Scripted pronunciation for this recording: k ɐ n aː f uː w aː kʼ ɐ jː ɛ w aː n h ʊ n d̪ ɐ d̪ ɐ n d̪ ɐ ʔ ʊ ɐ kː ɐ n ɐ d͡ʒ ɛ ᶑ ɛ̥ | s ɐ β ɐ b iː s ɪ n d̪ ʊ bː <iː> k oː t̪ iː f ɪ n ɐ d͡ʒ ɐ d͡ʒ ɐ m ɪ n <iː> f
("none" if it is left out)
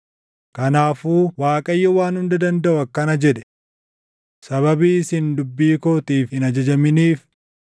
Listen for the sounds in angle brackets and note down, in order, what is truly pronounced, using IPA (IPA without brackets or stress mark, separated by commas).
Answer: iː, iː